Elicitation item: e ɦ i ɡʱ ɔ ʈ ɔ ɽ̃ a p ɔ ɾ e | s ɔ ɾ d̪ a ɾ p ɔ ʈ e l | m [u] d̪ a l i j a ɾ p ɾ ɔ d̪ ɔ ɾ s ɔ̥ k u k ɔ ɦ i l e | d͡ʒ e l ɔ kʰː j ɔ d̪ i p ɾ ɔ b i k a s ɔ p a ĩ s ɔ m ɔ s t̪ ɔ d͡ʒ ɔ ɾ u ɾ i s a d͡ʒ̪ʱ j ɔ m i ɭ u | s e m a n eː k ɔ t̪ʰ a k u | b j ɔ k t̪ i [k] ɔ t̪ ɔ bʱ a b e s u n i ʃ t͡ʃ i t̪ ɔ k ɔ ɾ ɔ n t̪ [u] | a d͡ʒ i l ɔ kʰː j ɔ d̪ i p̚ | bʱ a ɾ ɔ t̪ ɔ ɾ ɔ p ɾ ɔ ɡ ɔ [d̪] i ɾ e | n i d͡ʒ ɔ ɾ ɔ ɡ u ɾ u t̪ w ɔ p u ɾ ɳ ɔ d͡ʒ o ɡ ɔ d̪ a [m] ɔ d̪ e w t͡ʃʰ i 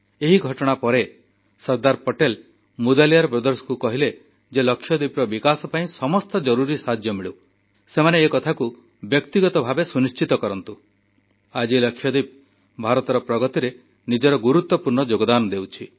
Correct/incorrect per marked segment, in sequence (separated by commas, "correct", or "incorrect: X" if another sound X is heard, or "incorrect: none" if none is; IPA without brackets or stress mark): correct, incorrect: ɡ, correct, incorrect: t̪, incorrect: n